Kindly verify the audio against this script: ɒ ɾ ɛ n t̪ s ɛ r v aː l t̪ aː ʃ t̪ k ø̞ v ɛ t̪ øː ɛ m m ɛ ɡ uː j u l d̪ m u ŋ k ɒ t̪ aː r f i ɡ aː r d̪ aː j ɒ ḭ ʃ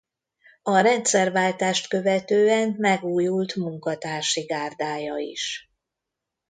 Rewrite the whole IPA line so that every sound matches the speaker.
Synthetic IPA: ɒ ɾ ɛ n t̪ s ɛ r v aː l t̪ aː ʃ t̪ k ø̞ v ɛ t̪ øː ɛ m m ɛ ɡ uː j u l t̪ m u ŋ k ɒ t̪ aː r ʃ i ɡ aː r d̪ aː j ɒ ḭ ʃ

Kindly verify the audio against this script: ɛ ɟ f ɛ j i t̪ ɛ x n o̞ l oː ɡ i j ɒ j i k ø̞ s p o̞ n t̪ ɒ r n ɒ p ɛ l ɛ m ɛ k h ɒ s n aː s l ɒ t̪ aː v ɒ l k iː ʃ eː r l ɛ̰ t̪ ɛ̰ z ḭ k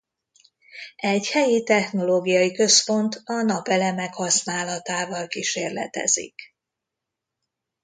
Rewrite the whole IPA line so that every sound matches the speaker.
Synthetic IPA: ɛ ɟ h ɛ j i t̪ ɛ x n o̞ l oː ɡ i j ɒ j i k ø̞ s p o̞ n t̪ ɒ n ɒ p ɛ l ɛ m ɛ k h ɒ s n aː l ɒ t̪ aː v ɒ l k i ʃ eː r l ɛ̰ t̪ ɛ̰ z ḭ k

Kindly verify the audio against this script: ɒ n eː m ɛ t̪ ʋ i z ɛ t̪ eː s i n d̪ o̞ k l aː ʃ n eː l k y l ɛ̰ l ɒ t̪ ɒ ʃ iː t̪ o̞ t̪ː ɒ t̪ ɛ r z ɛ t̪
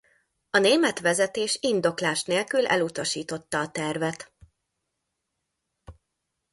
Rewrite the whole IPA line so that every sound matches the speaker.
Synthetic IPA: ɒ n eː m ɛ t̪ ʋ ɛ z ɛ t̪ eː ʃ i n d̪ o̞ k l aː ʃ n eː l k y l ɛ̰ l u t̪ ɒ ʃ iː t̪ o̞ t̪ː ɒː t̪ ɛ r v ɛ t̪

